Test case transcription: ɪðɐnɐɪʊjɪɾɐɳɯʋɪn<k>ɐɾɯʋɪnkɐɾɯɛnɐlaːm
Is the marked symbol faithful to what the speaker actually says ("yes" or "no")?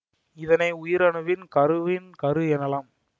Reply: yes